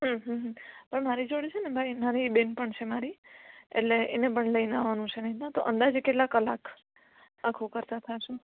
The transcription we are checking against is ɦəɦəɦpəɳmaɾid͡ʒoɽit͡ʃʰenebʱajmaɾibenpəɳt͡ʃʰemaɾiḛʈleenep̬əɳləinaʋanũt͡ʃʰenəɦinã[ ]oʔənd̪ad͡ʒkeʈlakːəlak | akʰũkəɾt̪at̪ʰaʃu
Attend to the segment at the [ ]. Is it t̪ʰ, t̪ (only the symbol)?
t̪